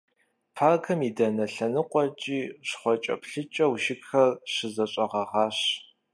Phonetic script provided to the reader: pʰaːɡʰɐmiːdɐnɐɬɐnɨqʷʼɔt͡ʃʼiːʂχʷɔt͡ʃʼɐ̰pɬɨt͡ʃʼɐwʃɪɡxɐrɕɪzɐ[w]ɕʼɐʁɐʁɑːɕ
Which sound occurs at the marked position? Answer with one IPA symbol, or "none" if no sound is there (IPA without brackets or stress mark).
none